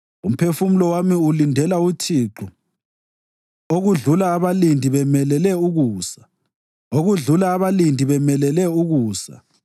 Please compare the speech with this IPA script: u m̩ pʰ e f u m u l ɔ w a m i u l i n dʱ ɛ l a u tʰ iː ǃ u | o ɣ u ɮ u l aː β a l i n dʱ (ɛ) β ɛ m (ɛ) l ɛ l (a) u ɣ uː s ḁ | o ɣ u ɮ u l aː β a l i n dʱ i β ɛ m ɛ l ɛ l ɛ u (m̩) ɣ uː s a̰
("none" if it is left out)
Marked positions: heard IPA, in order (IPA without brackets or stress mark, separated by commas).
i, ɛ, ɛ, none